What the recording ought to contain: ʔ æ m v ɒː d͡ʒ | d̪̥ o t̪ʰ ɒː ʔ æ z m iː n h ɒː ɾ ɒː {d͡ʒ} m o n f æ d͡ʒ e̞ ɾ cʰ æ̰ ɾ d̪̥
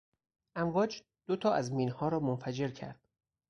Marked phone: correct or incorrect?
incorrect